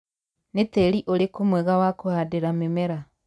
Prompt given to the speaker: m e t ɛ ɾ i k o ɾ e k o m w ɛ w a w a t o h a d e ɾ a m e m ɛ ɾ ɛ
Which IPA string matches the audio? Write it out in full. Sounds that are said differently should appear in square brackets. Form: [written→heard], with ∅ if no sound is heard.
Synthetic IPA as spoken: [m→n] e t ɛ ɾ i [k→ʔ] o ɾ e k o m w ɛ [w→ɣ] a w a [t→k] o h a d e ɾ a m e m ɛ ɾ [ɛ→a]